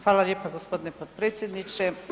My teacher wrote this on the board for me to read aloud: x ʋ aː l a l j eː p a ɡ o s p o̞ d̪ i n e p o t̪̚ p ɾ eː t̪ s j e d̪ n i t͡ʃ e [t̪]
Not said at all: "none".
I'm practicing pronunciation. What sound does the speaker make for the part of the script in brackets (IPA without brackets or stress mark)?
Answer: none